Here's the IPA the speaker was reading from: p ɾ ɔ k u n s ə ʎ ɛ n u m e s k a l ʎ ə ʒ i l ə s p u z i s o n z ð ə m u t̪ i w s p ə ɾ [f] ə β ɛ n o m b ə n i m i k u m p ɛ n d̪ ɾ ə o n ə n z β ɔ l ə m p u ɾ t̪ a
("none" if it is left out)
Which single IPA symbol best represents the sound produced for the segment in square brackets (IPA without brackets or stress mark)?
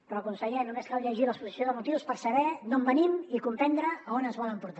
s